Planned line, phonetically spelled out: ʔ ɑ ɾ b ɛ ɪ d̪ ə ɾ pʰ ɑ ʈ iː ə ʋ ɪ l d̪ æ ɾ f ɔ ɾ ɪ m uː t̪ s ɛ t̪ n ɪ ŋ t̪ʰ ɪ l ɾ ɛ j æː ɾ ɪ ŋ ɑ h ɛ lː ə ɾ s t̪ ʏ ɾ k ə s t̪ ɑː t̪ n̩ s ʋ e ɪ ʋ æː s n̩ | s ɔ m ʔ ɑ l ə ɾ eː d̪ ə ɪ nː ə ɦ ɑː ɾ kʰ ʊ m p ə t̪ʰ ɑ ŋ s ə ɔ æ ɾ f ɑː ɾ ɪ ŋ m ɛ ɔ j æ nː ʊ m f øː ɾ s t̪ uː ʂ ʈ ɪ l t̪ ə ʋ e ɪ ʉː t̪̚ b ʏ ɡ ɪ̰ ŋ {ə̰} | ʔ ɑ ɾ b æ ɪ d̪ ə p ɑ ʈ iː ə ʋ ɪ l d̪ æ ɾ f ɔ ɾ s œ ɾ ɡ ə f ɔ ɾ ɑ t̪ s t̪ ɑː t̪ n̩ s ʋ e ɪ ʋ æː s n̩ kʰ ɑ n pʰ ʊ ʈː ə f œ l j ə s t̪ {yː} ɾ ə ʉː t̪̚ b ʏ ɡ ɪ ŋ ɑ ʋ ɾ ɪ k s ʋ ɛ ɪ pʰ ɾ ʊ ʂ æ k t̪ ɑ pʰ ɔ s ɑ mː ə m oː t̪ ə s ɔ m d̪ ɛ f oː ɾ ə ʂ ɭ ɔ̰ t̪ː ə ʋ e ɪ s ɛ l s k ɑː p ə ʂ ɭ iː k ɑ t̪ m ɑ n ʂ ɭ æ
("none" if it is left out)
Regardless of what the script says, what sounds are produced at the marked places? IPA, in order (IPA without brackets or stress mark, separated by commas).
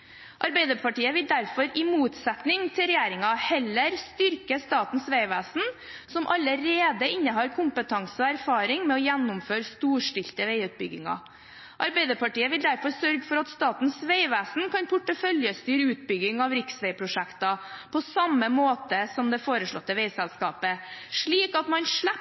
ɑ̰, yː